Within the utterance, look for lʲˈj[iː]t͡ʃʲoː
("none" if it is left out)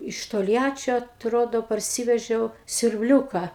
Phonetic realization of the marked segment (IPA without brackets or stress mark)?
æː